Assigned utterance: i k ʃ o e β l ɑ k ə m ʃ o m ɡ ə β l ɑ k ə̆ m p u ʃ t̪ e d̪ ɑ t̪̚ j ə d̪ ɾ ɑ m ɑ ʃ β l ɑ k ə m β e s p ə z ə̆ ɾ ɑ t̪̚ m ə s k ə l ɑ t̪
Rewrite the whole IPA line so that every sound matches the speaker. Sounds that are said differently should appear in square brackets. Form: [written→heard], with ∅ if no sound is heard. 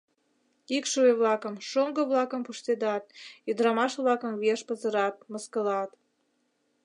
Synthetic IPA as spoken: i k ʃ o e β l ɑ k ə m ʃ o [m→ŋ] ɡ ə β l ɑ k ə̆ m p u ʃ t̪ e d̪ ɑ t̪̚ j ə d̪ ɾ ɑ m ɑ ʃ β l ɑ k ə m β e [s→ʃ] p ə z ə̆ ɾ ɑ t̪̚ m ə s k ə l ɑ t̪